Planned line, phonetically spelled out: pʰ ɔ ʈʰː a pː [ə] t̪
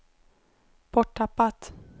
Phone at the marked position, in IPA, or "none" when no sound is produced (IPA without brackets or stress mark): a